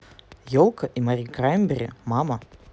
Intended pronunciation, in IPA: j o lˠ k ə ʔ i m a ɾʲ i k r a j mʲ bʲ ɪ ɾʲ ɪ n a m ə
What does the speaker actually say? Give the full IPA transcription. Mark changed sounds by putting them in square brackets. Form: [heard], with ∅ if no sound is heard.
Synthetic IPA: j o lˠ k ə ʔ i m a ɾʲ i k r a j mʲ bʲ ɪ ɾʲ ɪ [m] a m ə